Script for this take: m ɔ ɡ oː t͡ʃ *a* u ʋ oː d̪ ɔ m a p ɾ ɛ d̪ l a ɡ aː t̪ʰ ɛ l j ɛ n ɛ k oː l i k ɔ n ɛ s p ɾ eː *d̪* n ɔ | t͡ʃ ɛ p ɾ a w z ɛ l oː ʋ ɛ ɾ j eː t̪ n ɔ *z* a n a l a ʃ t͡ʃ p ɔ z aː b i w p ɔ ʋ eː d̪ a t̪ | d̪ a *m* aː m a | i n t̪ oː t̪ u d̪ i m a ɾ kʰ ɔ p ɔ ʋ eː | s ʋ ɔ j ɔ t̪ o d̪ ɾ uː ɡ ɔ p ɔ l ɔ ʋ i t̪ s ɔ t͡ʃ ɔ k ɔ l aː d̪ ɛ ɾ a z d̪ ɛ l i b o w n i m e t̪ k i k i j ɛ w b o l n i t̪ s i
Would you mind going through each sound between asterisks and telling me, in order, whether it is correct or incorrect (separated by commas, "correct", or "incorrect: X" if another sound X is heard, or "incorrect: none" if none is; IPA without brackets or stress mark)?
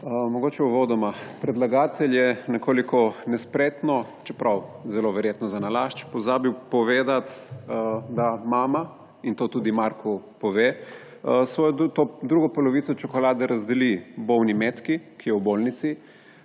incorrect: ɛ, incorrect: t̪, correct, correct